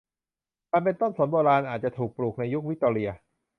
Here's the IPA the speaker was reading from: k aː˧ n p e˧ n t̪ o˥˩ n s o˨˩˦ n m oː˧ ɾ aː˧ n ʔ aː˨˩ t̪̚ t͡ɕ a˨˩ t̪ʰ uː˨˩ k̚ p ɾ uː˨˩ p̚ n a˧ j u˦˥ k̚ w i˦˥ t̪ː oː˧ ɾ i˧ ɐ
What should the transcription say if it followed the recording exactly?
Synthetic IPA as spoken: k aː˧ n p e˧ n t̪ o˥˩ n s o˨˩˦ n b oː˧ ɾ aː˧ n ʔ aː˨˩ t̪̚ t͡ɕ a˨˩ t̪ʰ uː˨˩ k̚ p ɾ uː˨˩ k̚ n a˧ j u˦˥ k̚ w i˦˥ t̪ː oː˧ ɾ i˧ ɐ